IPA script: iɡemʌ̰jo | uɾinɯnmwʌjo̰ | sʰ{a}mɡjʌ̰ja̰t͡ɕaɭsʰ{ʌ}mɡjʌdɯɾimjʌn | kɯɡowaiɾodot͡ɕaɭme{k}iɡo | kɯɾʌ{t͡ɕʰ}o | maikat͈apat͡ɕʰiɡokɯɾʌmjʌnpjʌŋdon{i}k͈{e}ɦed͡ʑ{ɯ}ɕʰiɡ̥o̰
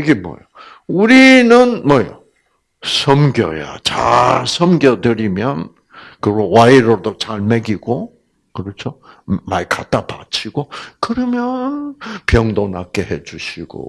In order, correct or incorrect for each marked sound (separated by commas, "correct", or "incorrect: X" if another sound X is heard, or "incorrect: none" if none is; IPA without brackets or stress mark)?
incorrect: ʌ, correct, incorrect: ɡ, correct, incorrect: a, correct, incorrect: u